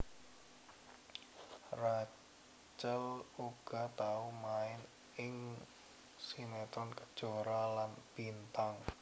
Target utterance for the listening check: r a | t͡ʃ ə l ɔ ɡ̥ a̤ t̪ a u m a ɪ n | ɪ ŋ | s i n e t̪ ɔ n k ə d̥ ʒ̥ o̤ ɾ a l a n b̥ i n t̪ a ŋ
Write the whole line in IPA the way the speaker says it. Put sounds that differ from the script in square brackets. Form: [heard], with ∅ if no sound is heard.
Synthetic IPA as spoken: r a | t͡ʃ ə l [u] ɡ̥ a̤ t̪ a u m a ɪ n | ɪ ŋ | s i n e t̪ ɔ n k ə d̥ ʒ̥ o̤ ɾ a l a n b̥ i n t̪ a ŋ